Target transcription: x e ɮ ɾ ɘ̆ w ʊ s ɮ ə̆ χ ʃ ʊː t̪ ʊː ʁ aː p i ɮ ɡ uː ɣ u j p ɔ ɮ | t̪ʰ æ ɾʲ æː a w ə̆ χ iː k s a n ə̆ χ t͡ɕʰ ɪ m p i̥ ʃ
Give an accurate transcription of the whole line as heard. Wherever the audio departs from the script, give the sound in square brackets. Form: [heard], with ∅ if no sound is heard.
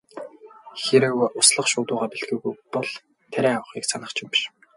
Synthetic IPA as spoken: x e [∅] ɾ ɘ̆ w ʊ s ɮ ə̆ χ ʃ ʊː t̪ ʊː ʁ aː p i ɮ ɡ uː ɣ u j p ɔ ɮ | t̪ʰ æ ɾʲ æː a w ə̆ χ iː k s a n ə̆ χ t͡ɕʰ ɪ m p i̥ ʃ